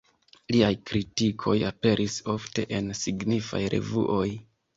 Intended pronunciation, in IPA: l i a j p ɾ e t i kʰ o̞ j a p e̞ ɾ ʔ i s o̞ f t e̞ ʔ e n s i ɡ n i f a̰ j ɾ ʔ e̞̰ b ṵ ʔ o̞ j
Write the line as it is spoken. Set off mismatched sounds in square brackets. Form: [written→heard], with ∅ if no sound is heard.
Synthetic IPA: l i a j [p→k] ɾ [e→i] t i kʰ o̞ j a p e̞ ɾ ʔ i s o̞ f t e̞ ʔ e n s i ɡ n i f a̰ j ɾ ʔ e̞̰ [b→v] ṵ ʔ o̞ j

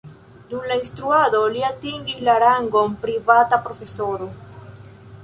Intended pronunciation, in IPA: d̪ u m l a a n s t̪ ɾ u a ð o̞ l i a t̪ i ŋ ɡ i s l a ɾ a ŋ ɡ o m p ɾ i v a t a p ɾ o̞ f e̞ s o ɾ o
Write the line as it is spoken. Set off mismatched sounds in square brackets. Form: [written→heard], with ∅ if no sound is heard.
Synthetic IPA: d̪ u m l a [a→i] n s t̪ ɾ u a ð o̞ l i a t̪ i ŋ ɡ i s l a ɾ a ŋ ɡ o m p ɾ i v a t a p ɾ o̞ f e̞ s o ɾ o

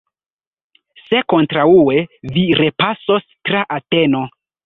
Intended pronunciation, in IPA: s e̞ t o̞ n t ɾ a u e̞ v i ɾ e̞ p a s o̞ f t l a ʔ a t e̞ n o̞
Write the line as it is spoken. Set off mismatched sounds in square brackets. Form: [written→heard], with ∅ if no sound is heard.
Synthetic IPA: s e̞ [t→k] o̞ n t ɾ a u e̞ v i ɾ e̞ p a s o̞ [f→s] t [l→ɾ] a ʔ a t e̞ n o̞

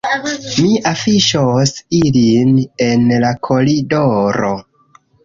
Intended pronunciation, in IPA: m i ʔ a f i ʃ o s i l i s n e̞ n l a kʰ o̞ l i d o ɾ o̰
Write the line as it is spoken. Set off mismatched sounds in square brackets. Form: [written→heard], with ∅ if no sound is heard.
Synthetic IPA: m i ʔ a f i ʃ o s i l i [s→∅] n e̞ n l a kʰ o̞ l i d o ɾ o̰

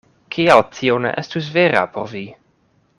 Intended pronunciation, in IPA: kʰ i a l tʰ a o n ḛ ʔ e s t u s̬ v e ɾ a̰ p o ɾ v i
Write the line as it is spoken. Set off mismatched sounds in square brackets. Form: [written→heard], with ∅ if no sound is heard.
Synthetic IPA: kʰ i a l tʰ [a→i] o n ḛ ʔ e s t u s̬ v e ɾ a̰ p o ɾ v i

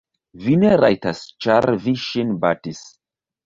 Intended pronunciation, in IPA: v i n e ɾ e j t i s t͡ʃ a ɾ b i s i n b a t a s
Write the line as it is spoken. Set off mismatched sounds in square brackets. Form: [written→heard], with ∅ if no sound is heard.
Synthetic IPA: v i n e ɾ [e→a] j t [i→a] s t͡ʃ a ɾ [b→v] i [s→ʃ] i n b a t [a→i] s

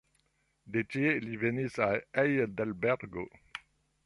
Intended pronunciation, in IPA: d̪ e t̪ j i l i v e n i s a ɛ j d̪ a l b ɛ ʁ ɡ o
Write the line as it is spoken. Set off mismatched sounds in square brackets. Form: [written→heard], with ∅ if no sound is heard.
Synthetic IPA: d̪ e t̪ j [i→e] l i v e n i s a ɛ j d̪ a l b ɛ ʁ ɡ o

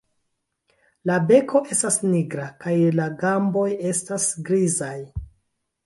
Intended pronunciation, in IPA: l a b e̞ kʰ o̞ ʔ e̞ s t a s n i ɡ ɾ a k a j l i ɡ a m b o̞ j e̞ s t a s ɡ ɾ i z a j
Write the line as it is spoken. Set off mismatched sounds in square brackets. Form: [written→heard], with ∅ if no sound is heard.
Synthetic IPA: l a b e̞ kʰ o̞ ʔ e̞ s t a s n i ɡ ɾ a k a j l [i→a] ɡ a m b o̞ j e̞ s t a s ɡ ɾ i z a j

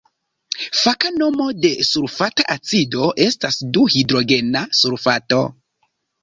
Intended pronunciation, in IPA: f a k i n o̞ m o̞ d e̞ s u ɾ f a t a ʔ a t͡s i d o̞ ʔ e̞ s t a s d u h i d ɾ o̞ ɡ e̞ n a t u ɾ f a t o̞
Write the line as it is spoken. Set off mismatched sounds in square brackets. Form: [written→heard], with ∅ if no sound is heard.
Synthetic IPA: f a k [i→a] n o̞ m o̞ d e̞ s u ɾ f a t a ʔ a t͡s i d o̞ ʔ e̞ s t a s d u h i d ɾ o̞ ɡ e̞ n a [t→s] u ɾ f a t o̞

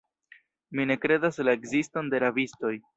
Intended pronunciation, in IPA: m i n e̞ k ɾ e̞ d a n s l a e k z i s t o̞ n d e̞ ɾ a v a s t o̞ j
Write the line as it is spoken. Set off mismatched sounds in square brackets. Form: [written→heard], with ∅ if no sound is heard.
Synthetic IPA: m i n e̞ k ɾ e̞ d a [n→∅] s l a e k z i s t o̞ n d e̞ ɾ a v [a→i] s t o̞ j

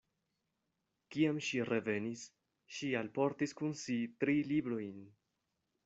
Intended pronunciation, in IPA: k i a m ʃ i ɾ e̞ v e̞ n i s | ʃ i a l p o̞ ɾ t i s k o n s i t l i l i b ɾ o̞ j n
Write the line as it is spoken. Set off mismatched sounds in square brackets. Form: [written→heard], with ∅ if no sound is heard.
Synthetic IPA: k i a m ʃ i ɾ e̞ v e̞ n i s | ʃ i a l p o̞ ɾ t i s k [o→u] n s i t [l→ɾ] i l i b ɾ o̞ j n

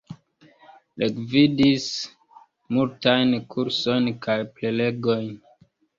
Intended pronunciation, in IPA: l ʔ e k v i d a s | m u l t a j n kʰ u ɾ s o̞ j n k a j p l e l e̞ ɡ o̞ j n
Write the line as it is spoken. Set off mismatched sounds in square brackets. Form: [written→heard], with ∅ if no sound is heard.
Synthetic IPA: l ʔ e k v i d [a→i] s | m u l t a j n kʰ u ɾ s o̞ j n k a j p l e l e̞ ɡ o̞ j n

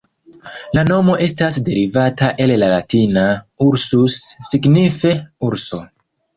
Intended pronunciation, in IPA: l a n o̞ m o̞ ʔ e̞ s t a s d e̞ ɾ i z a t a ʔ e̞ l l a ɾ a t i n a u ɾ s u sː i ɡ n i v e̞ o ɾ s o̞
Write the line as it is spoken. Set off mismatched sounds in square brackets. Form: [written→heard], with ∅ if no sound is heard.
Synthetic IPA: l a n o̞ m o̞ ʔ e̞ s t a s d e̞ ɾ i [z→v] a t a ʔ e̞ l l a [ɾ→l] a t i n a u ɾ s u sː i ɡ n i [v→f] e̞ [o→u] ɾ s o̞

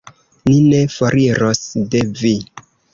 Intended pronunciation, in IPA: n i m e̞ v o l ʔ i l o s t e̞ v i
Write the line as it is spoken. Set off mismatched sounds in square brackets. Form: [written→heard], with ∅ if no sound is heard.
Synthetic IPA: n i [m→n] e̞ [v→f] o [l→ɾ] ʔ i [l→ɾ] o s [t→d] e̞ v i

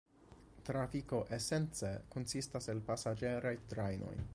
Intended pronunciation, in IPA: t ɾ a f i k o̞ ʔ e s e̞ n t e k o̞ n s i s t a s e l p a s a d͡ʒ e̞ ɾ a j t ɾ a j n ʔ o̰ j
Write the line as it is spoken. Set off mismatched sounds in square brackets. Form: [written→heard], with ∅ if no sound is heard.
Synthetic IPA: t ɾ a f i k o̞ ʔ e s e̞ n [t→t͡s] e k o̞ n s i s t a s e l p a s a d͡ʒ e̞ ɾ a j t ɾ a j n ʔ o̰ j

